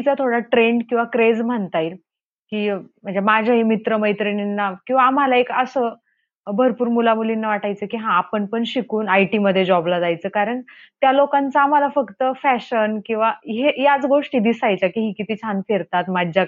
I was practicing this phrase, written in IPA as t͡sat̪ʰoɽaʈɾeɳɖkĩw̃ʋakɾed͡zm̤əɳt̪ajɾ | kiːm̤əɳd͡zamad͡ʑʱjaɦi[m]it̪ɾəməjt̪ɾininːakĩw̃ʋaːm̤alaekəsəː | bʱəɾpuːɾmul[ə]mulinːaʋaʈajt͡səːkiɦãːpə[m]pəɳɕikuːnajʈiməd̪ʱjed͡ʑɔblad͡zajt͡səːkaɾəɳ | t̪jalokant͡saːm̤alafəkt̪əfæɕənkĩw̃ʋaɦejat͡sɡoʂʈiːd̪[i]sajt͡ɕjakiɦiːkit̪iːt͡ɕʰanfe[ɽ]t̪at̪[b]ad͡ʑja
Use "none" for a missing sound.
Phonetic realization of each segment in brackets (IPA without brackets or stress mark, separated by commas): m, a, ɳ, i, ɾ, m